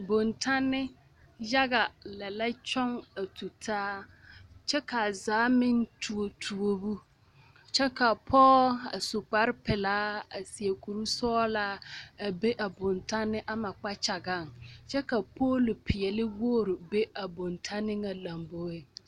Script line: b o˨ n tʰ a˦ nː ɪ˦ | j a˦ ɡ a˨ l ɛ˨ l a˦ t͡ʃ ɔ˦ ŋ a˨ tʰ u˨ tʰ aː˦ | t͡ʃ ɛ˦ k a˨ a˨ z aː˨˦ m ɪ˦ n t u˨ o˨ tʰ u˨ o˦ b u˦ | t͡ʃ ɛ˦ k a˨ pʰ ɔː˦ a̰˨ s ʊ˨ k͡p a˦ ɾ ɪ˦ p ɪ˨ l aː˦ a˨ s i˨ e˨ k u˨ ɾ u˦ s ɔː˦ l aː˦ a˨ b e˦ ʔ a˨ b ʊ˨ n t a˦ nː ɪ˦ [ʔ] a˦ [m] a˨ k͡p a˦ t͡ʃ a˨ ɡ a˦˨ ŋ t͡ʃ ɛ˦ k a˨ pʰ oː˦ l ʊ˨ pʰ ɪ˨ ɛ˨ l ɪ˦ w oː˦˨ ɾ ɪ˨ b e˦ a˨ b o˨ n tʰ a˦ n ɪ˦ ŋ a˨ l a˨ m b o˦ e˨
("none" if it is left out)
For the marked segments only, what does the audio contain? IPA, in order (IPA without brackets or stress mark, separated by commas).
ʔ, m